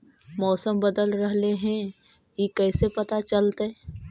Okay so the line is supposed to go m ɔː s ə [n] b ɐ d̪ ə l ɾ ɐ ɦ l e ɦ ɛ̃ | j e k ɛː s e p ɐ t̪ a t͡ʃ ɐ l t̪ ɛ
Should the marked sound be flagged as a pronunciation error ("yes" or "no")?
yes